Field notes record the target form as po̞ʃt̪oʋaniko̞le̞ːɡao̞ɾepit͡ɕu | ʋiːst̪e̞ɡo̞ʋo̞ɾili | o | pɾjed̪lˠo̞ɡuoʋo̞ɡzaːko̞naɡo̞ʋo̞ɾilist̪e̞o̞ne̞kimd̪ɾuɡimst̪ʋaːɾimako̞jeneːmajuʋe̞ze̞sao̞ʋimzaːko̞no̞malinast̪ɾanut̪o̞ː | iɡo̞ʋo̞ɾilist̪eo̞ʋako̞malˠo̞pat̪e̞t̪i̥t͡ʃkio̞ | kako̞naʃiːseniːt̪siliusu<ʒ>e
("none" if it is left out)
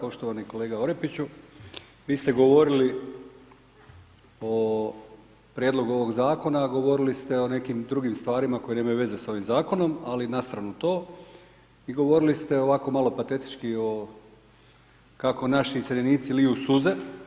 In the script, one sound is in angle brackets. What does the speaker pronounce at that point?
z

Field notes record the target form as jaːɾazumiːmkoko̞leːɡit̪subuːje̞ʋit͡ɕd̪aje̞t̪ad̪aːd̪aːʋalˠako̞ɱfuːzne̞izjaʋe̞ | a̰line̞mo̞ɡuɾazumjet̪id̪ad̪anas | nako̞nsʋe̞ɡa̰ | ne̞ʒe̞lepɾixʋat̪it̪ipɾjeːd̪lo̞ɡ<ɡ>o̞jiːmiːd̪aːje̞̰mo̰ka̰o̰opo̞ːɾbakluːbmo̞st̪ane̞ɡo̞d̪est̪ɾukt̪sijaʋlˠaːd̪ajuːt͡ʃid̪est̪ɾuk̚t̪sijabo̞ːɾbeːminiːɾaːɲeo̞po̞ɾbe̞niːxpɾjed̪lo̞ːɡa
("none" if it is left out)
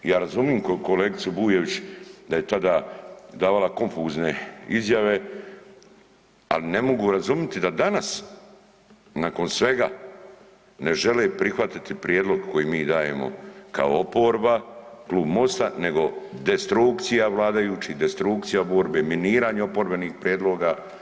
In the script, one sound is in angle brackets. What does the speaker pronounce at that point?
k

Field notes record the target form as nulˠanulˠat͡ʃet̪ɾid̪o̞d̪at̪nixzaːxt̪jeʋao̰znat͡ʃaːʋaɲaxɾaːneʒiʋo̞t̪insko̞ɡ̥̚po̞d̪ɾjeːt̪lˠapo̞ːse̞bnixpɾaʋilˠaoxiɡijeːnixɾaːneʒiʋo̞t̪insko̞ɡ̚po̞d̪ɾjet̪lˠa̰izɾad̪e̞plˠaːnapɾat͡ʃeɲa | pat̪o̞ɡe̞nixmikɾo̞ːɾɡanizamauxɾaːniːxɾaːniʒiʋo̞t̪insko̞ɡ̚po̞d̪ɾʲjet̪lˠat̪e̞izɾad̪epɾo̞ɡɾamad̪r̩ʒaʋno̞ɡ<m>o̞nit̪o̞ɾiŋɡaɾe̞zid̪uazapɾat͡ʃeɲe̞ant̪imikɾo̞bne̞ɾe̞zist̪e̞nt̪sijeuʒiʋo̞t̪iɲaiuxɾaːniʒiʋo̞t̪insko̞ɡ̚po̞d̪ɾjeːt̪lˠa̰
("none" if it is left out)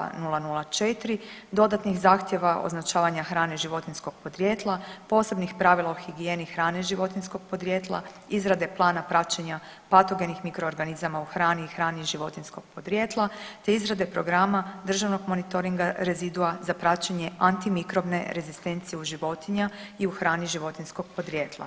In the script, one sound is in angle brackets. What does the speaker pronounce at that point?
m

